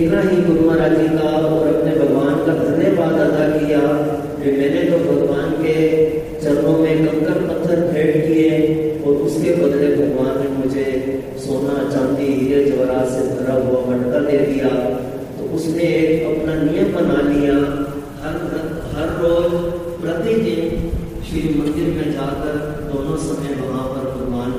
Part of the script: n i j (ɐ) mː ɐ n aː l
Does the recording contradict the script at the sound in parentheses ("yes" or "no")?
yes